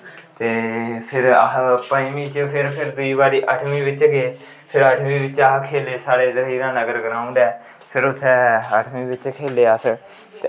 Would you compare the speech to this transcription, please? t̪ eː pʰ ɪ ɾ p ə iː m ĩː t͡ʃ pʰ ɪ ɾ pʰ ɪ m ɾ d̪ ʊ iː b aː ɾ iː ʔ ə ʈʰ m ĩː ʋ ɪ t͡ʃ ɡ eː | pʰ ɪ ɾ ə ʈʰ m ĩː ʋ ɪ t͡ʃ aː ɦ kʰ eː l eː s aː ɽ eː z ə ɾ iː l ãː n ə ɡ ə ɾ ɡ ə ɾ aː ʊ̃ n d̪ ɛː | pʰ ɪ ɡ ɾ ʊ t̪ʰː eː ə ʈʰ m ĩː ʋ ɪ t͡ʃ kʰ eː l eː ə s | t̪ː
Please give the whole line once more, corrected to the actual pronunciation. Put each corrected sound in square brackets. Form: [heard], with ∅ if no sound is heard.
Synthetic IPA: t̪ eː pʰ ɪ ɾ p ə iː m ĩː t͡ʃ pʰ ɪ ɾ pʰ ɪ [∅] ɾ d̪ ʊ iː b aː ɾ iː ʔ ə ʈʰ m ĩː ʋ ɪ t͡ʃ ɡ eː | pʰ ɪ ɾ ə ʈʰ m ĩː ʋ ɪ t͡ʃ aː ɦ kʰ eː l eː s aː ɽ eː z ə ɾ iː [ɾ] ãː n ə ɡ ə ɾ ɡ ə ɾ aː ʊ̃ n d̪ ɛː | pʰ ɪ [∅] ɾ ʊ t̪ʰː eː ə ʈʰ m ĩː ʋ ɪ t͡ʃ kʰ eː l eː ə s | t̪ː